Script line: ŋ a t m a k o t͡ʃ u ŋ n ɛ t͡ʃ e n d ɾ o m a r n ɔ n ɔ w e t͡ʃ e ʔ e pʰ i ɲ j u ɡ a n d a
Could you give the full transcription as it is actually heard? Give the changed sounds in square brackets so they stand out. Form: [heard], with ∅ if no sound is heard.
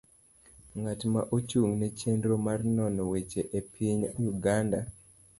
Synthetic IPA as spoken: ŋ a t m a [ʔ] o t͡ʃ u ŋ n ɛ t͡ʃ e n d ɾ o m a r n ɔ n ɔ w e t͡ʃ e ʔ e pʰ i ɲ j u ɡ a n d a